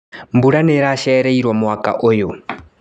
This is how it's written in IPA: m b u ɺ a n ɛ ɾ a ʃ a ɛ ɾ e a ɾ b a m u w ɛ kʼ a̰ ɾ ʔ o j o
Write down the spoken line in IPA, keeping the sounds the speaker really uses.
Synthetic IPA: m b u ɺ a n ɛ ɾ a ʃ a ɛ ɾ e i ɾ w a m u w a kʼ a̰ ʔ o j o